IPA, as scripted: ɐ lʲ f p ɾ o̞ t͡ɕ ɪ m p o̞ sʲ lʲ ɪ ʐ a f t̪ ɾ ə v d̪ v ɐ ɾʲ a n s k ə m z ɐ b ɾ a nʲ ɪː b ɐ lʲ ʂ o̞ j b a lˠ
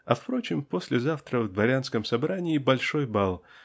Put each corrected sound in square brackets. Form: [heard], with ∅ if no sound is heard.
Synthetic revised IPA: ɐ [∅] f p ɾ o̞ t͡ɕ ɪ m p o̞ sʲ lʲ ɪ [z] a f t̪ ɾ ə v d̪ v ɐ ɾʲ a n s k ə m [s] ɐ b ɾ a nʲ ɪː b ɐ lʲ ʂ o̞ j b a lˠ